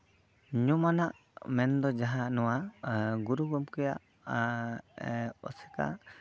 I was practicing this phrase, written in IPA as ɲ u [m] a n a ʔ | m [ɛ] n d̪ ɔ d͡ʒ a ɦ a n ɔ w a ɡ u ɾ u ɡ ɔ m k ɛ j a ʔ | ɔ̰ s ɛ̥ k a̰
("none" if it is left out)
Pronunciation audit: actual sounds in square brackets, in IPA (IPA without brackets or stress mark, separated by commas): m, ɛ